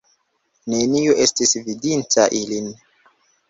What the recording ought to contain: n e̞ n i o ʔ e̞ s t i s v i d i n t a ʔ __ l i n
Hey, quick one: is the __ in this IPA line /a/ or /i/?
i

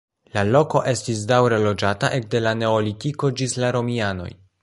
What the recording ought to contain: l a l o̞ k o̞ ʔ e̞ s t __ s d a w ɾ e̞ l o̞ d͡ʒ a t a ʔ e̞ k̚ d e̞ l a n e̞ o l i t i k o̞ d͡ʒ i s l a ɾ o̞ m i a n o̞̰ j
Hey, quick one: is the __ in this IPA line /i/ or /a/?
i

